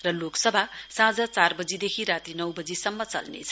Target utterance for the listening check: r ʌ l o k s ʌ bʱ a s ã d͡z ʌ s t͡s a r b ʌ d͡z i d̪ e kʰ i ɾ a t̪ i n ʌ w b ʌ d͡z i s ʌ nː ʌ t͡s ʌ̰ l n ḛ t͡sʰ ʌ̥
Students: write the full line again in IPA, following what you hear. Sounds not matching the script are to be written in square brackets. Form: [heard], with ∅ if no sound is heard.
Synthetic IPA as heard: r ʌ l o k s ʌ bʱ a s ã d͡z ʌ [∅] t͡s a r b ʌ d͡z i d̪ e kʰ i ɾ a t̪ i n ʌ w b ʌ d͡z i s ʌ [mː] ʌ t͡s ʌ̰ l n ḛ t͡sʰ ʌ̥